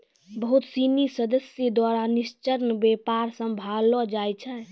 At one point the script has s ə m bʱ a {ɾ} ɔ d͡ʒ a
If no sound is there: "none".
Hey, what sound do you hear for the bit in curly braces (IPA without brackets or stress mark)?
l